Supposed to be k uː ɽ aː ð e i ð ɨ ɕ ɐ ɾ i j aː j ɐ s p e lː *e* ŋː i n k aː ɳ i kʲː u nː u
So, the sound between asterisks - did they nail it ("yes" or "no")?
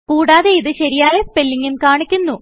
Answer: no